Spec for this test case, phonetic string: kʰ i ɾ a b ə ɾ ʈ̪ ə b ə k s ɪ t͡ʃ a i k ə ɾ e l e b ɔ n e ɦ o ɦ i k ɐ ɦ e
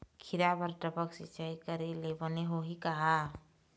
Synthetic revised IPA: kʰ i ɾ a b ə ɾ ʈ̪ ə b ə k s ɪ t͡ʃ a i k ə ɾ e l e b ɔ n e ɦ o ɦ i k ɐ ɦ a